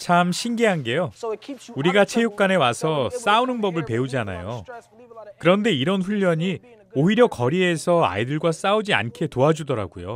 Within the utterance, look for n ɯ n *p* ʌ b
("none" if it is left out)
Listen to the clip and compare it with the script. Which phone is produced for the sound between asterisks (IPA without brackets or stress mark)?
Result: b